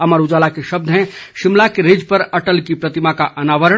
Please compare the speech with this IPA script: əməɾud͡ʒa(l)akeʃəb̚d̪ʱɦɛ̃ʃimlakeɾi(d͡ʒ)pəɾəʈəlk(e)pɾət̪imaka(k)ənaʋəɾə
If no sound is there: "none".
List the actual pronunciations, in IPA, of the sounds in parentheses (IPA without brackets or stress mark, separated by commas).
l, d͡ʒ, i, ʔ